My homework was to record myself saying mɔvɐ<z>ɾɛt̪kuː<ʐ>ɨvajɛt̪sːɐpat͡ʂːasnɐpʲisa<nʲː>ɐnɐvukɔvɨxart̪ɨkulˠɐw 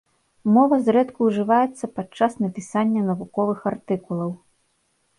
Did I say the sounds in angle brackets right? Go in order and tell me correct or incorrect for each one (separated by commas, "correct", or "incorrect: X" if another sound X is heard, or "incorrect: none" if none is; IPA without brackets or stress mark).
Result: correct, correct, correct